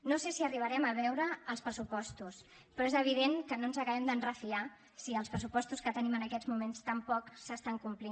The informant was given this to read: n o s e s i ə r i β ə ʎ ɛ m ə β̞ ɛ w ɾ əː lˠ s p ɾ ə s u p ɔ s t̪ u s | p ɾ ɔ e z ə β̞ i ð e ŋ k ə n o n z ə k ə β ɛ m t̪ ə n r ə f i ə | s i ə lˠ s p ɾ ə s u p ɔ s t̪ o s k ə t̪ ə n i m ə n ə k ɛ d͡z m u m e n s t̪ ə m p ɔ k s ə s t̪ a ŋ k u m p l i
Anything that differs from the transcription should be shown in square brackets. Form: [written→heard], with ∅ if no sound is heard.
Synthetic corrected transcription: n o s e s i ə r i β ə [ʎ→ɾ] ɛ m ə β̞ ɛ w ɾ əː lˠ s p ɾ ə s u p ɔ s t̪ u s | p ɾ ɔ e z ə β̞ i ð e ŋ k ə n o n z ə k ə β ɛ m [t̪→d̪] ə n r ə f i [ə→a] | s i ə lˠ s p ɾ ə s u p ɔ s t̪ [o→u] s k ə t̪ ə n i m ə n ə k ɛ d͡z m u m e n s t̪ ə m p ɔ k s ə s t̪ a ŋ k u m p l i

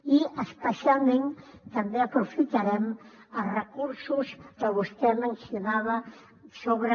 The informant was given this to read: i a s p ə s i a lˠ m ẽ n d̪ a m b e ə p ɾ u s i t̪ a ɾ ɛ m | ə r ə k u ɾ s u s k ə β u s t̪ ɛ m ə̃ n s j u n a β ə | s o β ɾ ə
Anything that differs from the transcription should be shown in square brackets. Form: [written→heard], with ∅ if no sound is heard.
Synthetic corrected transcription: i [a→ə] s p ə s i a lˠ m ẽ n [d̪→t̪] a m b e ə p ɾ u [s→f] i t̪ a ɾ ɛ m | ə r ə k u ɾ s u s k ə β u s t̪ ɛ m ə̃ n s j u n a β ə | s o β ɾ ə

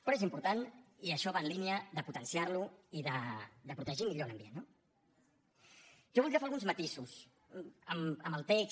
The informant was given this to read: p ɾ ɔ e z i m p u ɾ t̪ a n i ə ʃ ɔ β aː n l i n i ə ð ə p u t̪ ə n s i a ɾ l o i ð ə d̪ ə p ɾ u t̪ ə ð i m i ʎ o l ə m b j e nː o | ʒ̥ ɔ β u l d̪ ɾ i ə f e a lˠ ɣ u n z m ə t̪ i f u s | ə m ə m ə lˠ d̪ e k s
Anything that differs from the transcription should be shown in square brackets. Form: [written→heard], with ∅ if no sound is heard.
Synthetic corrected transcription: p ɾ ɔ e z i m p u ɾ t̪ a n i ə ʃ ɔ β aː n l i n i ə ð ə p u t̪ ə n s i a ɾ l [o→u] i ð ə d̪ ə p ɾ u t̪ ə [ð→ʒ] i m i ʎ o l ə m b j e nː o | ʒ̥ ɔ β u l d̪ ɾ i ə f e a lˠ ɣ u n z m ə t̪ i [f→s] u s | ə m ə m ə lˠ [d̪→t̪] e k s

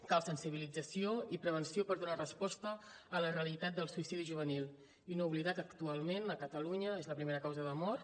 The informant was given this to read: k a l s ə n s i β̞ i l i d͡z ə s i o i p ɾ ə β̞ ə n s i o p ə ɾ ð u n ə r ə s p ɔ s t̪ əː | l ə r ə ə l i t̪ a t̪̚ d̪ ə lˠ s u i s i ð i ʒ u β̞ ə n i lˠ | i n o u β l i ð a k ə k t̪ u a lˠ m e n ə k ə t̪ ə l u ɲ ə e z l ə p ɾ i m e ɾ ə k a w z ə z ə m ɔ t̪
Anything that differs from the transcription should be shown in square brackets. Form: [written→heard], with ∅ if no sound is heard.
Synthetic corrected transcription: k a l s ə n s i β̞ i l i d͡z ə s i o i p ɾ ə β̞ ə n s i o p ə ɾ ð u n [ə→a] r ə s p ɔ s t̪ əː | l ə r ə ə l i t̪ a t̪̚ d̪ ə lˠ s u i s i ð i ʒ u β̞ ə n i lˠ | i n o u β l i ð a k ə k t̪ u a lˠ m e n ə k ə t̪ ə l u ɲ ə e z l ə p ɾ i m e ɾ ə k a w z ə [z→ð] ə m ɔ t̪

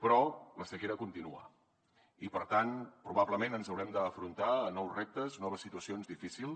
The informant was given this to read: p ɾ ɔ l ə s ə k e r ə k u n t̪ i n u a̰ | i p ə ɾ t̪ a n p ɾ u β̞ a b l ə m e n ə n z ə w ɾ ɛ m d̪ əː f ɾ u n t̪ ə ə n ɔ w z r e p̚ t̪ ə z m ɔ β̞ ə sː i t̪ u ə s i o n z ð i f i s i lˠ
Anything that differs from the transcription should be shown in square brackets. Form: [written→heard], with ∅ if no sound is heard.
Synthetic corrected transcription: p ɾ ɔ l ə s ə k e [r→ɾ] ə k u n t̪ i n u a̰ | i p ə ɾ t̪ a n p ɾ u β̞ a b l ə m e n ə n z ə w ɾ ɛ m d̪ əː f ɾ u n t̪ [ə→a] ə n ɔ w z r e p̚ t̪ ə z [m→n] ɔ β̞ ə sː i t̪ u ə s i o n z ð i f i s i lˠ

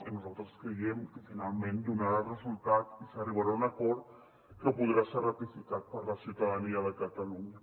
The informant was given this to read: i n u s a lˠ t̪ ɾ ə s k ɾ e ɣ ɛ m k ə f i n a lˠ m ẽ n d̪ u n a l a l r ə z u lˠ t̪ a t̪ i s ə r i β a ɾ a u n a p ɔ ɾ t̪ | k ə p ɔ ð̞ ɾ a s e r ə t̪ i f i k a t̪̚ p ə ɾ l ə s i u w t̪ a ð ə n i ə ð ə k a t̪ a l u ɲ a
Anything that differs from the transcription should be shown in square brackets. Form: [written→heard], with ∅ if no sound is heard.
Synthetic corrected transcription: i n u [s→z] a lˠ t̪ ɾ ə s k ɾ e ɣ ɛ m k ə f i n a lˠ m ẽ n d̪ u n a [l→ɾ] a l r ə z u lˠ t̪ a t̪ i s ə r i β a ɾ a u n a [p→k] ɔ ɾ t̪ | k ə p [ɔ→u] ð̞ ɾ a s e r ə t̪ i f i k a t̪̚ p ə ɾ l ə s i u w t̪ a ð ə n i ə ð ə k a t̪ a l u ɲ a

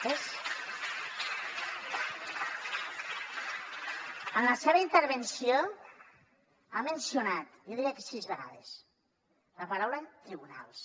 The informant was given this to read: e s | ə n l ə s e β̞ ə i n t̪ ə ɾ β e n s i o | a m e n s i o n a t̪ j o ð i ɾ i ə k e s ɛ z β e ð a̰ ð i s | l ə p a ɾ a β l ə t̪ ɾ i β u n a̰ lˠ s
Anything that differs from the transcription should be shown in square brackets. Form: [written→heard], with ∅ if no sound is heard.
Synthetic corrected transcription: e s | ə n l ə s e β̞ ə i n t̪ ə ɾ β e n s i o | a m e n s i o n a t̪ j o ð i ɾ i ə k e s [ɛ→i] z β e [ð→ɣ] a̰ ð [i→e] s | l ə p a ɾ a [β→w] l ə t̪ ɾ i β u n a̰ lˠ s

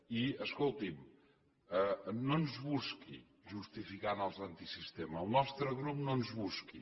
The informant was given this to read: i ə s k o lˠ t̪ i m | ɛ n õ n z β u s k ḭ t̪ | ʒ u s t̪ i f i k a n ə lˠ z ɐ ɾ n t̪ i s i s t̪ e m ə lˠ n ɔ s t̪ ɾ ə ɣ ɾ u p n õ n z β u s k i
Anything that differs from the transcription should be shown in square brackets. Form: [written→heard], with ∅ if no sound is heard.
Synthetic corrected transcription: i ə s k o lˠ t̪ i m | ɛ n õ n z β u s k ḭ [t̪→∅] | ʒ u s t̪ i f i k a n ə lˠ z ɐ [ɾ→∅] n t̪ i s i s t̪ e m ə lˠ n ɔ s t̪ ɾ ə ɣ ɾ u p n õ n z β u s k i

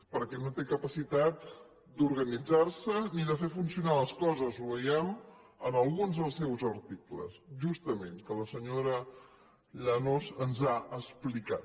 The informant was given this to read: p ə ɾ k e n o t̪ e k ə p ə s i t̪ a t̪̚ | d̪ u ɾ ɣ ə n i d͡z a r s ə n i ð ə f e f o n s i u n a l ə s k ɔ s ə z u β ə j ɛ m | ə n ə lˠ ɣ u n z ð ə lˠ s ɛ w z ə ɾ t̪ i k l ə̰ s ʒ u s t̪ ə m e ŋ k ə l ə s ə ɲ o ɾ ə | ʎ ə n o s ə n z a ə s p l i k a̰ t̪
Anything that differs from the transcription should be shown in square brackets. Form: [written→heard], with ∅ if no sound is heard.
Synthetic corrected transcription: p ə ɾ k [e→ɛ] n o t̪ e k ə p ə s i t̪ a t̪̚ | d̪ u ɾ ɣ ə n i d͡z a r s ə n i ð ə f e f [o→u] n s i u n a l ə s k ɔ [s→z] ə z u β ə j ɛ m | ə n ə lˠ ɣ u n z ð ə lˠ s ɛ w z ə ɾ t̪ i k l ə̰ s ʒ u s t̪ ə m e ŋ k ə l ə s ə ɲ o ɾ ə | ʎ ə n o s ə n z a ə s p l i k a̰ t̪

